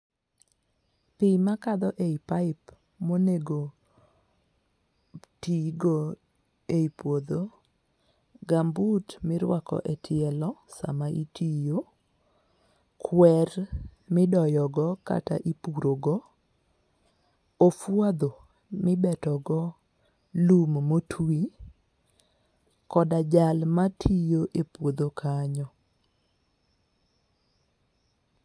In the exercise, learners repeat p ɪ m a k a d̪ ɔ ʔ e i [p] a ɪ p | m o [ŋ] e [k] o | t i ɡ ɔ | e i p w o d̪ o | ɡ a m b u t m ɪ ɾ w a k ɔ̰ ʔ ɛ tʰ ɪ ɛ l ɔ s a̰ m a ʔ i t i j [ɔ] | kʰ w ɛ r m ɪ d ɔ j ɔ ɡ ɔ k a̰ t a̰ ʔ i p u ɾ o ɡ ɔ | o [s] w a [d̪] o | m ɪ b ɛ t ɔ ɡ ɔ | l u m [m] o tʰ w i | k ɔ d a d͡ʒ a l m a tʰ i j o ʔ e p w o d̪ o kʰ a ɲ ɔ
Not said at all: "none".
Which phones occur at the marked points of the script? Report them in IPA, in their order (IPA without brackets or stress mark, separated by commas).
p, n, ɡ, o, f, d̪, m